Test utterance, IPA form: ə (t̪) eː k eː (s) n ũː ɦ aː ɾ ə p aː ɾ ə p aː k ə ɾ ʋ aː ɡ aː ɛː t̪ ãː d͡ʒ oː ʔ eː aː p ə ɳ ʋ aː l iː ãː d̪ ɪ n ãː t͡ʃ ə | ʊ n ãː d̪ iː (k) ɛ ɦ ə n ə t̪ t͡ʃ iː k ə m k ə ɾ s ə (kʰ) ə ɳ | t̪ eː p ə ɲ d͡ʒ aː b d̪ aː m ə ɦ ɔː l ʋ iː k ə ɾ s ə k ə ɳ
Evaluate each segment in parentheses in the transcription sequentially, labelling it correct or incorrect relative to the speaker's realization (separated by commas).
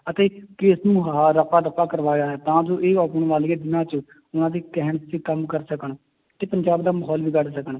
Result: correct, correct, correct, incorrect